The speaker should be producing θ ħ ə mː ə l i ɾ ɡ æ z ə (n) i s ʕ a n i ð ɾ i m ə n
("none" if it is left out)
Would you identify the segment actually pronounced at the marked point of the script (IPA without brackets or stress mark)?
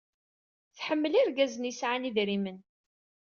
n